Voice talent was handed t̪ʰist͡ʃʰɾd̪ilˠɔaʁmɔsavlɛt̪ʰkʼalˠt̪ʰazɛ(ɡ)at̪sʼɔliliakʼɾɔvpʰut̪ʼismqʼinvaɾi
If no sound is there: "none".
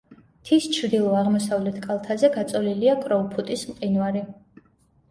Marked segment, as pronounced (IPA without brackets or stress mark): ɡ